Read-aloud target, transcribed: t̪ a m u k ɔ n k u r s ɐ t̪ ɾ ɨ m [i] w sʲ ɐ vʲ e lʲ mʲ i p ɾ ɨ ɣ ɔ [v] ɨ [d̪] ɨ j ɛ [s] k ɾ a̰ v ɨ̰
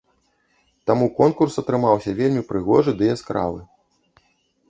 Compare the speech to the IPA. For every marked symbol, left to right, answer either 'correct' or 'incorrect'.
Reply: incorrect, incorrect, correct, correct

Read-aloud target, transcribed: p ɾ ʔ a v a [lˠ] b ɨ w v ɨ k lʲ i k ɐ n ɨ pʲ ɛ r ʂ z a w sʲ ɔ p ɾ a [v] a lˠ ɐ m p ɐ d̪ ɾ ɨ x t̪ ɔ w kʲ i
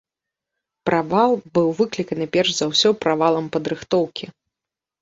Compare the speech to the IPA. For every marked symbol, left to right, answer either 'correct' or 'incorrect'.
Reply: correct, correct

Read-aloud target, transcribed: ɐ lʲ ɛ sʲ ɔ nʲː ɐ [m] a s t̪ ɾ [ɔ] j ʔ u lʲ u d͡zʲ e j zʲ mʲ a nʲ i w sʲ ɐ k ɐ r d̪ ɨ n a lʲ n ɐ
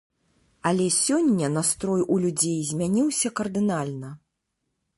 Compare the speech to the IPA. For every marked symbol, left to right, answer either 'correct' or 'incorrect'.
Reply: incorrect, correct

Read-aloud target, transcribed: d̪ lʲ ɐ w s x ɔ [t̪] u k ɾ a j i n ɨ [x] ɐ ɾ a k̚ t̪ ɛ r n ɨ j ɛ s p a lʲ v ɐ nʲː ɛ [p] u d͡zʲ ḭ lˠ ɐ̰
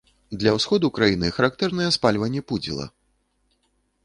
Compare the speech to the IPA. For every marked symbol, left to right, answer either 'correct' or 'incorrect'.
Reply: incorrect, correct, correct

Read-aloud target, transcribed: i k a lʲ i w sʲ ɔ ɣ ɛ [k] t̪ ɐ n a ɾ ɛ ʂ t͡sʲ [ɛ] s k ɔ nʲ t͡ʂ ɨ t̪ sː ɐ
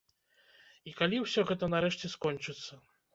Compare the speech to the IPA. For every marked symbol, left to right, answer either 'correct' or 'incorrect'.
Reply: incorrect, correct

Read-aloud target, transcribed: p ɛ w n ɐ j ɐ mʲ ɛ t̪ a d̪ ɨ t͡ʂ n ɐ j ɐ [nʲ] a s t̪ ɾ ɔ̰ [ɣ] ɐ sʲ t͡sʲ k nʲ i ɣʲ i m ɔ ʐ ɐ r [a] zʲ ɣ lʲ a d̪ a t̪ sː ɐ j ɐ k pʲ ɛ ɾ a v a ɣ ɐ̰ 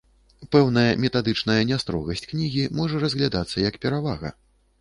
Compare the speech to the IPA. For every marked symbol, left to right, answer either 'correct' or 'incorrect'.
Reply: correct, correct, incorrect

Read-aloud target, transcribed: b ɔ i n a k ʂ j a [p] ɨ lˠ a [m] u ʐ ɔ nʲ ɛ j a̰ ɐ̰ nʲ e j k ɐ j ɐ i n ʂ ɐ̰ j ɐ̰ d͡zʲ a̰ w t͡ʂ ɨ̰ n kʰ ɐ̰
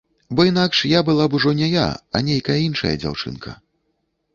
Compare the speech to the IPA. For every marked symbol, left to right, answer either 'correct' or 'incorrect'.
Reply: incorrect, incorrect

